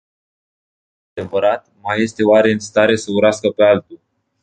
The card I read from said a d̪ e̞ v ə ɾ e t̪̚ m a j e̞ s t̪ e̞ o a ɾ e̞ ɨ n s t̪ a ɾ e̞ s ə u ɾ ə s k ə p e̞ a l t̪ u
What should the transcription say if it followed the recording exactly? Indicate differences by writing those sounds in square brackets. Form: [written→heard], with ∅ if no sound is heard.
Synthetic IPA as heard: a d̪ e̞ v ə ɾ [e→a] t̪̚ m a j e̞ s t̪ e̞ o a ɾ e̞ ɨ n s t̪ a ɾ e̞ s ə u ɾ [ə→a] s k ə p e̞ a l t̪ u